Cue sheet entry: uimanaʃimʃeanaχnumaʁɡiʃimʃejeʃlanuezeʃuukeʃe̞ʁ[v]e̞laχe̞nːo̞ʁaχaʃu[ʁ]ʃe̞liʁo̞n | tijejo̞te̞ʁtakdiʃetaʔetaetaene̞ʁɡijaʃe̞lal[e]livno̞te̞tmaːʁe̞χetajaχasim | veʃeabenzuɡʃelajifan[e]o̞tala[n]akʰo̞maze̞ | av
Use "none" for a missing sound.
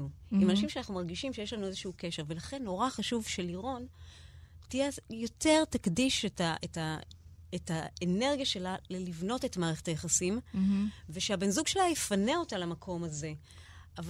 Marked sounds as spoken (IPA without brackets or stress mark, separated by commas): v, v, e, e, m